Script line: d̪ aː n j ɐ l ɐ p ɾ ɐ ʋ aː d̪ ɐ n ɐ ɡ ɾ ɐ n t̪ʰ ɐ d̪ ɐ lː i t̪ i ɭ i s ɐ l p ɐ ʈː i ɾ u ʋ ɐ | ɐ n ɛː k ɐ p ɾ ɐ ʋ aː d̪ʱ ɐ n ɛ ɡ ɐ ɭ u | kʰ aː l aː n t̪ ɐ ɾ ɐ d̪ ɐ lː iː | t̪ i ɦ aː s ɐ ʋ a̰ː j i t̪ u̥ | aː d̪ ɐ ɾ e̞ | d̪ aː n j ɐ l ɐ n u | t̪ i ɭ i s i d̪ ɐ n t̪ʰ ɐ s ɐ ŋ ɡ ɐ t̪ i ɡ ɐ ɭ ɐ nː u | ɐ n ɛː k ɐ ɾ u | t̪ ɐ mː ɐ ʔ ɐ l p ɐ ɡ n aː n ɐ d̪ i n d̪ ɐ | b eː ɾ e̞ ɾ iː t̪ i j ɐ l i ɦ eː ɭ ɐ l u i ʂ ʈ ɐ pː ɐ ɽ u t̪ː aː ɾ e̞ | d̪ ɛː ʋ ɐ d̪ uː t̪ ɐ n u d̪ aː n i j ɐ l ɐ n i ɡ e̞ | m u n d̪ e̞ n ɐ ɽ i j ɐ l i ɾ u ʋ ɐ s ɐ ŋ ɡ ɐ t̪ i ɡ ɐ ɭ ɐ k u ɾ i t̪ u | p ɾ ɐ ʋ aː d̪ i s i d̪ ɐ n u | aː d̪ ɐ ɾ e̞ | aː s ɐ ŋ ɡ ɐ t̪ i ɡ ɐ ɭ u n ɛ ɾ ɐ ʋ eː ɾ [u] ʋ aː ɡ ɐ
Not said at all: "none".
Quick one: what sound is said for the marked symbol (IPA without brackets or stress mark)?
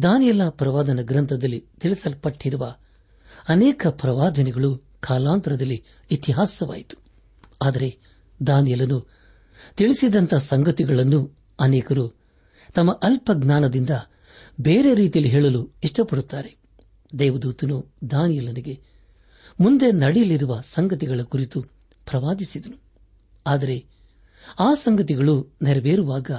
u